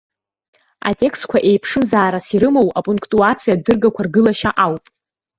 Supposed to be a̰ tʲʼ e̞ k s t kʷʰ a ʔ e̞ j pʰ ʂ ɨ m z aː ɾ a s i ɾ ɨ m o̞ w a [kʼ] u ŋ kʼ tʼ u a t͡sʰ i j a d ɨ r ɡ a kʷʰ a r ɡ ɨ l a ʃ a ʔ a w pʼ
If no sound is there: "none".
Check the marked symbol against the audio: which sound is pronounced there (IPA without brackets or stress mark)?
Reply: pʼ